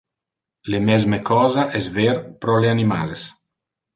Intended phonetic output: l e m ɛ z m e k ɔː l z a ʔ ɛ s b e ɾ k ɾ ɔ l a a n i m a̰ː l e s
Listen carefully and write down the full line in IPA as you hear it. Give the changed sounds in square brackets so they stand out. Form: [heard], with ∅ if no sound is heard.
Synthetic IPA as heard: l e m ɛ z m e k ɔː [∅] z a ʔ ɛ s [v] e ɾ [p] ɾ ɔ l [e] a n i m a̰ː l e s